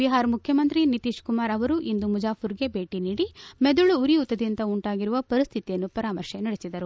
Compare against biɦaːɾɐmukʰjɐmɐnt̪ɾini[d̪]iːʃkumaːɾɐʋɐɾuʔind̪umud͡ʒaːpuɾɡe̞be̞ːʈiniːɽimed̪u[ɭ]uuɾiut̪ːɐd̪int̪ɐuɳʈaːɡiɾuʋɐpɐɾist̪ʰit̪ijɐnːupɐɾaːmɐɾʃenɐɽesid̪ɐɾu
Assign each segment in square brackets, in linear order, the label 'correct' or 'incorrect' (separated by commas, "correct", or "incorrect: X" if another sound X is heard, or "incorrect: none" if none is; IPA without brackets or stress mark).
incorrect: t̪, correct